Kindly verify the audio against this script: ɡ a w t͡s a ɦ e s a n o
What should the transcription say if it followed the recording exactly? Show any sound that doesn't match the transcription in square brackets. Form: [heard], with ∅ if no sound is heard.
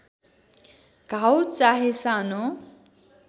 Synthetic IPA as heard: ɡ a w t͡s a ɦ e s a n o